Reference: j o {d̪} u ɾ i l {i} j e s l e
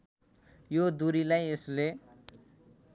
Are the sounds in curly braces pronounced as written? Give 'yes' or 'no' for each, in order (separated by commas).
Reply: yes, no